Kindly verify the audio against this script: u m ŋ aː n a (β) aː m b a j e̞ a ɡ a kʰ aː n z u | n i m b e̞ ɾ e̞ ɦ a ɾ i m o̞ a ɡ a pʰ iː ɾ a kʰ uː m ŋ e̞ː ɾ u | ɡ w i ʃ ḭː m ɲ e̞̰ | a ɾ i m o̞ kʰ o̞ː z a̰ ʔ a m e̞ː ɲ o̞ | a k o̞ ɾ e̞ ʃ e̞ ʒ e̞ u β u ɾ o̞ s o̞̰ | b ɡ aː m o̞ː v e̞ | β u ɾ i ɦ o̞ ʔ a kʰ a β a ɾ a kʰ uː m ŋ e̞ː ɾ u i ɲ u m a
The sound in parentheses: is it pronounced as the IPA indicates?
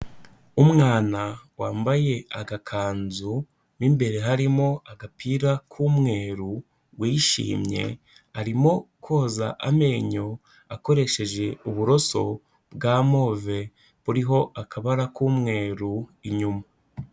no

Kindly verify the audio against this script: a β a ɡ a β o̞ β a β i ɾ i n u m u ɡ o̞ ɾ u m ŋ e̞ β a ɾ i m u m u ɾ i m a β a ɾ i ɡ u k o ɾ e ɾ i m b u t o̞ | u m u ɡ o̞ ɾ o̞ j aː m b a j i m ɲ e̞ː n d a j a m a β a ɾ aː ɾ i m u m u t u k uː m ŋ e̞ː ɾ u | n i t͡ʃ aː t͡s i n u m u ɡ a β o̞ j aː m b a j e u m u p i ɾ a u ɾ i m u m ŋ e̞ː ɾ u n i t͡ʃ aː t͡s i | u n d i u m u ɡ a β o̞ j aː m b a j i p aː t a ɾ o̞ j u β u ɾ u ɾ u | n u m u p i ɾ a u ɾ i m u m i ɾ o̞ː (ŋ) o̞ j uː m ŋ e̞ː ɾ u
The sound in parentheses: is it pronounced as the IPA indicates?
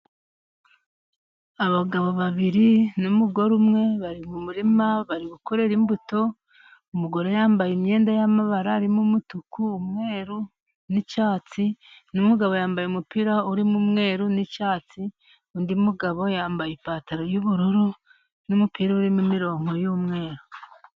yes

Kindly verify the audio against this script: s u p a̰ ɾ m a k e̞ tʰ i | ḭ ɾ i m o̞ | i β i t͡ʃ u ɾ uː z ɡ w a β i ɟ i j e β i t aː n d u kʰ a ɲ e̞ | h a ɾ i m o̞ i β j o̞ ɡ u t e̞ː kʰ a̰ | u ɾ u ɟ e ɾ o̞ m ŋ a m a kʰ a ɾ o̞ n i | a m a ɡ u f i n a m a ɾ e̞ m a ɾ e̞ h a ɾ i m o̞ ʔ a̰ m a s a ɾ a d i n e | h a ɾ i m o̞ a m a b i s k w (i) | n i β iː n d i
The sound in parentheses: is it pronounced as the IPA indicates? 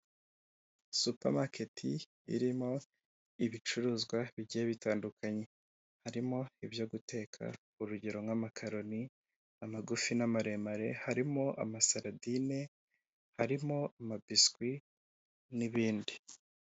yes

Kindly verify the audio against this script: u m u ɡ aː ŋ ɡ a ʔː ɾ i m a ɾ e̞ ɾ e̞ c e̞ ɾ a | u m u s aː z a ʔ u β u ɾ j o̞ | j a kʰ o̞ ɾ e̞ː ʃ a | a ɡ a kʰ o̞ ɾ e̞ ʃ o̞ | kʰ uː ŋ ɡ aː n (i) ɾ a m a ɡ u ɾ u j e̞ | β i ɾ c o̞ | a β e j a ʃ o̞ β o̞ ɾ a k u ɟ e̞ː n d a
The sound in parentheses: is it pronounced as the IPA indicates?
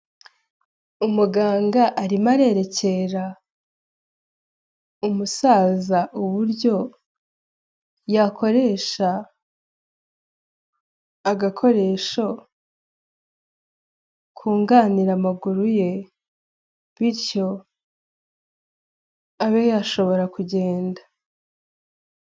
yes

